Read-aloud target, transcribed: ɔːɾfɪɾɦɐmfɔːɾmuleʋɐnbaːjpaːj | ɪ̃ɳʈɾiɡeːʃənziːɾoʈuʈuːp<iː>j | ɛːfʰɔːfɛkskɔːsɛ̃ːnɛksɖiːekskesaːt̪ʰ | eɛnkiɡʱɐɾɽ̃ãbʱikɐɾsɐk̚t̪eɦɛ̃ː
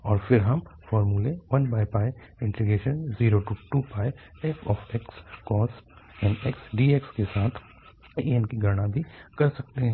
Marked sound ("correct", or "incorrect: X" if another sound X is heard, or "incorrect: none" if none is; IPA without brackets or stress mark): incorrect: aː